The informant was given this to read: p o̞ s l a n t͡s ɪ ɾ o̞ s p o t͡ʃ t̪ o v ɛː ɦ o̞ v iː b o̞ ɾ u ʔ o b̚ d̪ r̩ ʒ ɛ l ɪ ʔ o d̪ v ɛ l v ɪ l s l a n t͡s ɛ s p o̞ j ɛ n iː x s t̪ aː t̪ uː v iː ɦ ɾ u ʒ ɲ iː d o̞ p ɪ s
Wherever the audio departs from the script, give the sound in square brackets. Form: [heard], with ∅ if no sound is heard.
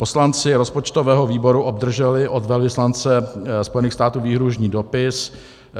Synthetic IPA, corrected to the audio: p o̞ s l a n t͡s ɪ ɾ o̞ s p o t͡ʃ t̪ o v ɛː ɦ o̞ v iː b o̞ ɾ u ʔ o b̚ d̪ r̩ ʒ ɛ l ɪ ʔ o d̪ v ɛ l v ɪ [∅] s l a n t͡s ɛ s p o̞ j ɛ n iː x s t̪ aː t̪ uː v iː ɦ ɾ u ʒ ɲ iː d o̞ p ɪ s

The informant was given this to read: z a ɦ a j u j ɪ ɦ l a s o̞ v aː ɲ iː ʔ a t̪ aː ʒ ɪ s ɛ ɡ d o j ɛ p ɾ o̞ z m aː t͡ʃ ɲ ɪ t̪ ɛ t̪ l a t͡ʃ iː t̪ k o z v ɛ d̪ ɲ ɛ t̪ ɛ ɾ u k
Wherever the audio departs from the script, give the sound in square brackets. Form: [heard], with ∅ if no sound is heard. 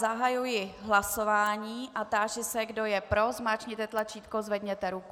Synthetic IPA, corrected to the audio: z a ɦ a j u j ɪ ɦ l a s o̞ v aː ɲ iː ʔ a t̪ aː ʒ ɪ s ɛ ɡ d o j ɛ p ɾ o̞ z m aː t͡ʃ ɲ ɪ t̪ ɛ t̪ l a t͡ʃ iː t̪ k o z v ɛ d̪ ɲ ɛ t̪ ɛ ɾ u k

